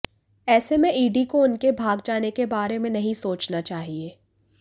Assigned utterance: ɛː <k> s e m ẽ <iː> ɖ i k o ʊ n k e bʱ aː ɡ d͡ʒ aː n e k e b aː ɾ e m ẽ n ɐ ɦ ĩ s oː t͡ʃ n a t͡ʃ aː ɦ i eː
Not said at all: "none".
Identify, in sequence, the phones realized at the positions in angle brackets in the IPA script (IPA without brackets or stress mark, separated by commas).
none, iː